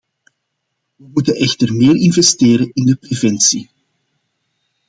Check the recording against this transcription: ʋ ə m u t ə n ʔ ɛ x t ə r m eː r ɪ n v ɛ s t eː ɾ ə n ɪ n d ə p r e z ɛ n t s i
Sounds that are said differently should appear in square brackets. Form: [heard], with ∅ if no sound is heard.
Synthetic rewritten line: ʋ ə m u t ə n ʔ ɛ x t ə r m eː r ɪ n v ɛ s t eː ɾ ə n ɪ n d ə p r e [v] ɛ n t s i